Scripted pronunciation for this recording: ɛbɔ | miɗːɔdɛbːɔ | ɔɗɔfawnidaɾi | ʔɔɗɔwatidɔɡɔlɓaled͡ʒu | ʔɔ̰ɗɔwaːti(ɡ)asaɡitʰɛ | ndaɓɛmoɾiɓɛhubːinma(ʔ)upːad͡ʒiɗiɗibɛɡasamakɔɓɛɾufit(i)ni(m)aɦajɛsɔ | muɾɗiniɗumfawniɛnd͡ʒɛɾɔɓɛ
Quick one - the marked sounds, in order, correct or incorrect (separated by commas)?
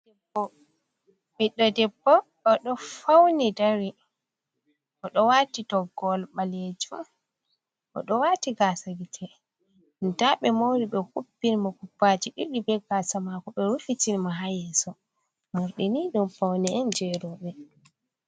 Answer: correct, incorrect, correct, correct